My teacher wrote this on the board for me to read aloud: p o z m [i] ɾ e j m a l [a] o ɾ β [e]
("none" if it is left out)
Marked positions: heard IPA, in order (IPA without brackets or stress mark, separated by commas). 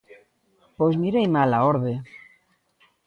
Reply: i, a, e